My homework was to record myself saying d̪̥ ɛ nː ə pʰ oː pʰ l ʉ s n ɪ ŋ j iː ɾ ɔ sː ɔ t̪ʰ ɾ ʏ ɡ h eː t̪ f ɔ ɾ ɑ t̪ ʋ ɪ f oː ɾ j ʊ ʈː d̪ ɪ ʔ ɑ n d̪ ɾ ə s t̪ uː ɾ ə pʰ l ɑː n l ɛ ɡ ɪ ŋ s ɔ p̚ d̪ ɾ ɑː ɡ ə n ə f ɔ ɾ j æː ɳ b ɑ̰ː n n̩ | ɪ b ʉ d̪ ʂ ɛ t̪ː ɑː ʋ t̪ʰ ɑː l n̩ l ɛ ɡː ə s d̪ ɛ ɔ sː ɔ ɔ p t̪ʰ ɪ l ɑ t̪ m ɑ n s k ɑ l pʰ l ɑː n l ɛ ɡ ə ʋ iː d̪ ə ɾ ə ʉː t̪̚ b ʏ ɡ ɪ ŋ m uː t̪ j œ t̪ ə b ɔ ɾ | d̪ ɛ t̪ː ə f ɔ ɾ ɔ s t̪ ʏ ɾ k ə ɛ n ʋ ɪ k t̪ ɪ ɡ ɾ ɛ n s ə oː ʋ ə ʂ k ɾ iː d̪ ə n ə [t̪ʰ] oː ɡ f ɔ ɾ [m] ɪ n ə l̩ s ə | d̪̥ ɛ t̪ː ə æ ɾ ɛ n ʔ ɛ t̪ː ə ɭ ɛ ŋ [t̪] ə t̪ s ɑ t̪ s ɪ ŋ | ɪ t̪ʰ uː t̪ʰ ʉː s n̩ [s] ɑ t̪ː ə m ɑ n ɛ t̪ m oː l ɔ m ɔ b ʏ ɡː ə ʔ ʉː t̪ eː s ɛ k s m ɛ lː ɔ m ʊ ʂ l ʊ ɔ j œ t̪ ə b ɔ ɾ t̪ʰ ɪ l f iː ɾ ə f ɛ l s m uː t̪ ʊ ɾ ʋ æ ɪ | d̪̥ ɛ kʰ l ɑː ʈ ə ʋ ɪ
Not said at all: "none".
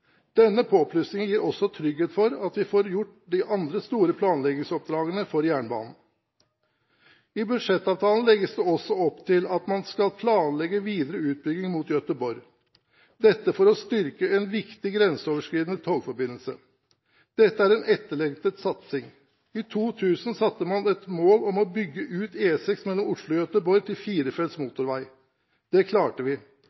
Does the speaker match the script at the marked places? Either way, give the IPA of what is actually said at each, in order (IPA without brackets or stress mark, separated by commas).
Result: t̪ʰ, b, t̪, s